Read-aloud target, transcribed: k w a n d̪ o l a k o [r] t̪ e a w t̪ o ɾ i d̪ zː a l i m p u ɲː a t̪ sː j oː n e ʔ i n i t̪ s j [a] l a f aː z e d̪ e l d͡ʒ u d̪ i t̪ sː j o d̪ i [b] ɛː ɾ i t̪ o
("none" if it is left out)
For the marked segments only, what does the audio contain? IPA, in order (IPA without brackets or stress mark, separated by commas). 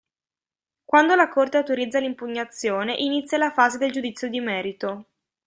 r, a, m